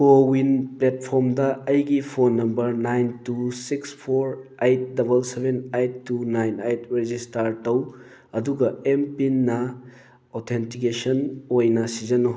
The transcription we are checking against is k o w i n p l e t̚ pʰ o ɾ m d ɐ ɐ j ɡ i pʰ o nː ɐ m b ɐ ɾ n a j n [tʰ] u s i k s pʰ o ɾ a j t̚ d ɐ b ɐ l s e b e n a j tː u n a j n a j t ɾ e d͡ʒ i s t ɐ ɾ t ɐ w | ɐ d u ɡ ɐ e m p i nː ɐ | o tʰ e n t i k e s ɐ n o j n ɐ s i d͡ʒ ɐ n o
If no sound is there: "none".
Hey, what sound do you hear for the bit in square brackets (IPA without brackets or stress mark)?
t